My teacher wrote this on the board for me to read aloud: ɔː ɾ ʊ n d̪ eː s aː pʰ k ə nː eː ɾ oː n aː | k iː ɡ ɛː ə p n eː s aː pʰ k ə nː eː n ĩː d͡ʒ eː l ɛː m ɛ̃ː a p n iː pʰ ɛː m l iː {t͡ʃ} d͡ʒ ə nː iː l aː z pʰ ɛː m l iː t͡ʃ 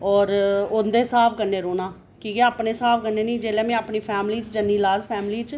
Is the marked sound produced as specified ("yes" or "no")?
yes